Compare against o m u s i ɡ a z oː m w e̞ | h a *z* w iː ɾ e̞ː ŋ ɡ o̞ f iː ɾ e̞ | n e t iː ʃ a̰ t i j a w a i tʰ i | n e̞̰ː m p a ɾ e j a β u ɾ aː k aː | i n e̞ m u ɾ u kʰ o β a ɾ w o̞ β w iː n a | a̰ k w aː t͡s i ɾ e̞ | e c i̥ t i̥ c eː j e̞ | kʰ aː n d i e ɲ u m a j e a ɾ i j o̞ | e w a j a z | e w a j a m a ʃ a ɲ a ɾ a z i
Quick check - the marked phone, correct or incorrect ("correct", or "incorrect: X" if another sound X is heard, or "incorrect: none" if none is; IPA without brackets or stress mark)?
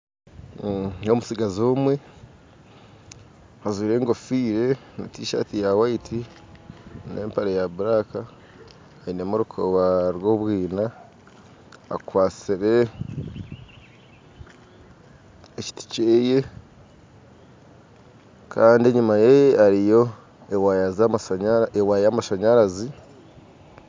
correct